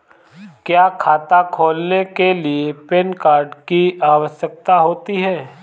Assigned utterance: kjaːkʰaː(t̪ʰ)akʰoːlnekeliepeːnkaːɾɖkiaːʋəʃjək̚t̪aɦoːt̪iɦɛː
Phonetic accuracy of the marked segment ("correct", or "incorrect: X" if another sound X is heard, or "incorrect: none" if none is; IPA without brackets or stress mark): incorrect: t̪